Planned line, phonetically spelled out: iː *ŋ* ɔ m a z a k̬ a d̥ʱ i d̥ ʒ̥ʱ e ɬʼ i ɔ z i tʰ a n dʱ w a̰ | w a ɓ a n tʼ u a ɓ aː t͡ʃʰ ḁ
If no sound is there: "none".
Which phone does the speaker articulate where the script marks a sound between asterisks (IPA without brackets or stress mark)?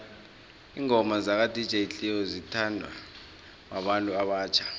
ŋ